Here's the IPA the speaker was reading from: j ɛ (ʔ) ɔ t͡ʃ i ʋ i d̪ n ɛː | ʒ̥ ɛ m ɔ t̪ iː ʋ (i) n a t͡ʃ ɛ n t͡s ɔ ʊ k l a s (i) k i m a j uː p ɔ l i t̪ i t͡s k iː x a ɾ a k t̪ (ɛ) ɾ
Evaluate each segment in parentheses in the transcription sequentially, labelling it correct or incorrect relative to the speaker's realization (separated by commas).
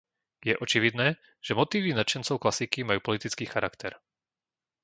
correct, correct, correct, correct